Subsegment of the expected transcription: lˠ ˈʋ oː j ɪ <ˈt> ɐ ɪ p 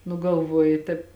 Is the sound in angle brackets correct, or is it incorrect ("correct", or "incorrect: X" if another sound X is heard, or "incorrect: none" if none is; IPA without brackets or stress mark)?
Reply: correct